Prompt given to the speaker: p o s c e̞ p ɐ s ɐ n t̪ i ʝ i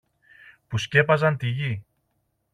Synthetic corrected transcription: p u s c e̞ p ɐ z ɐ n t̪ i ʝ i